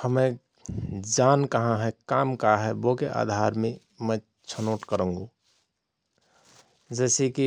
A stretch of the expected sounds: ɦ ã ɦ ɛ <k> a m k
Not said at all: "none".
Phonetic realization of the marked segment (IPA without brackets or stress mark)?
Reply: k